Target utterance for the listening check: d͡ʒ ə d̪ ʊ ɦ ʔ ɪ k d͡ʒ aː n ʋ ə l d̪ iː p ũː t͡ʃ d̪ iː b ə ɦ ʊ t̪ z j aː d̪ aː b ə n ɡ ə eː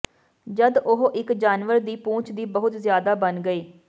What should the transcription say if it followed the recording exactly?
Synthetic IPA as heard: d͡ʒ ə d̪ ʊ ɦ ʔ ɪ k d͡ʒ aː n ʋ ə ɾ d̪ iː p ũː t͡ʃ d̪ iː b ə ɦ ʊ t̪ z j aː d̪ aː b ə n ɡ ə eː